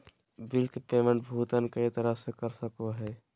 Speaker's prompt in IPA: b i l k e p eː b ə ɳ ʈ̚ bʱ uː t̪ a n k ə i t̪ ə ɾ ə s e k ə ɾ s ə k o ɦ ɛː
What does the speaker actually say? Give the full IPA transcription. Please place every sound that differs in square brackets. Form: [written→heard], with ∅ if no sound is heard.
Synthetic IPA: b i l k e p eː [b→m] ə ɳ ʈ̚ bʱ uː t̪ [a→ə] n k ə i t̪ ə ɾ ə s e k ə ɾ s ə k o ɦ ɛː

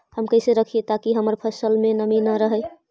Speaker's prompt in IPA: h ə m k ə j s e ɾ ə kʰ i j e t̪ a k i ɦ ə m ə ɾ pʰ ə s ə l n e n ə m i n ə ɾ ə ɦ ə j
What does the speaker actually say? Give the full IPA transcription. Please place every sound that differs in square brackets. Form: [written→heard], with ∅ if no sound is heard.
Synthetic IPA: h ə m k ə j s e ɾ ə kʰ i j e t̪ a k i ɦ ə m ə ɾ pʰ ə s ə l [n→m] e n ə m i n ə ɾ ə ɦ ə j

